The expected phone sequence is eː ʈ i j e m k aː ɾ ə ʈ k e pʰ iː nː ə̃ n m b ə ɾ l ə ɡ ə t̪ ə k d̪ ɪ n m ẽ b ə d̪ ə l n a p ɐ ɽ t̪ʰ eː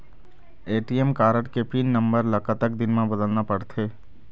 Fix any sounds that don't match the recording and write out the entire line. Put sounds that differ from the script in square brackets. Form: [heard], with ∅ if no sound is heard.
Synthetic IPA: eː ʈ i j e m k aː ɾ ə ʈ k e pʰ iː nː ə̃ [∅] m b ə ɾ l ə [k] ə t̪ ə k d̪ ɪ n m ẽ b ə d̪ ə l n a p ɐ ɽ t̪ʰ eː